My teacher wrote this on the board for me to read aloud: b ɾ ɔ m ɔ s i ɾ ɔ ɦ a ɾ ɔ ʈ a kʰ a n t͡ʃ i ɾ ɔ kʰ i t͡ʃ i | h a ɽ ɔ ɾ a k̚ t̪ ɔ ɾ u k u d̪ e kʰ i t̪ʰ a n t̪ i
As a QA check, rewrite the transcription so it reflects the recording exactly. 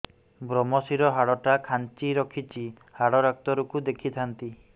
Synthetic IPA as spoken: b ɾ ɔ m ɔ s i ɾ ɔ ɦ a ɽ ɔ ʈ a kʰ a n t͡ʃ i ɾ ɔ kʰ i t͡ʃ i | h a ɽ ɔ ɾ a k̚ t̪ ɔ ɾ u k u d̪ e kʰ i t̪ʰ a n t̪ i